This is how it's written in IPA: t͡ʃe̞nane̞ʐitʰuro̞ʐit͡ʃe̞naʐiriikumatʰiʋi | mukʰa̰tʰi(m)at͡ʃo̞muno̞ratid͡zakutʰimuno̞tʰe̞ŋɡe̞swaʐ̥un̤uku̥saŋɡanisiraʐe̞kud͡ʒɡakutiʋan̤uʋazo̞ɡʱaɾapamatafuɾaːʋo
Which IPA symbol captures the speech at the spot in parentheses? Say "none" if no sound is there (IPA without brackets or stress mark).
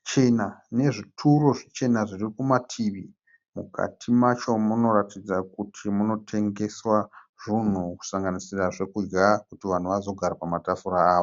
m